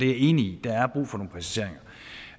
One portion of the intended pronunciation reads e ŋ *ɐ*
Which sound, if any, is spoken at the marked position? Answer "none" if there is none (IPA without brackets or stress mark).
ɐ